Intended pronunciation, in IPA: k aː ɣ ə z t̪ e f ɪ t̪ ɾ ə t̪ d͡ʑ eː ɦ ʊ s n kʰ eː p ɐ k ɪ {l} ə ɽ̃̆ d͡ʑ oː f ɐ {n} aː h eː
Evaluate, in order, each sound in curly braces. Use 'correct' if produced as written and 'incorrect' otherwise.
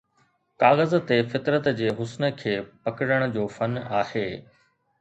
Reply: incorrect: ɽ, correct

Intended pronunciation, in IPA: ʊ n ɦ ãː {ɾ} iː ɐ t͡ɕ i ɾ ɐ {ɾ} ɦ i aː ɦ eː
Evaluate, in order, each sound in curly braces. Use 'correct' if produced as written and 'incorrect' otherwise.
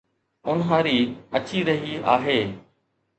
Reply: correct, incorrect: none

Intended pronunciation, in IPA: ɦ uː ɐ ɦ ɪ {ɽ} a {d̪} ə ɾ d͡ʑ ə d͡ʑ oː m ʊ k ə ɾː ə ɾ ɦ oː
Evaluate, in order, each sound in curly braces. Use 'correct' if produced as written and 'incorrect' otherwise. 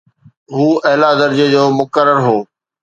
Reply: incorrect: l, correct

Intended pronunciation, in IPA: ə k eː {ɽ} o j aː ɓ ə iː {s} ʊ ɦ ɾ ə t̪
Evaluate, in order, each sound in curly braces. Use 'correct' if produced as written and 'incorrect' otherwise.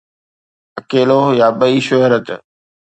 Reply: incorrect: l, incorrect: ʃ

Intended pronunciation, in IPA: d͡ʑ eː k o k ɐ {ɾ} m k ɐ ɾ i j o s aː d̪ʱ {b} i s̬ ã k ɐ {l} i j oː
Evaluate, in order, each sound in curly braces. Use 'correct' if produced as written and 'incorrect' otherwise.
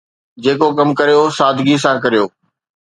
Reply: incorrect: none, incorrect: ɡ, incorrect: ɾ

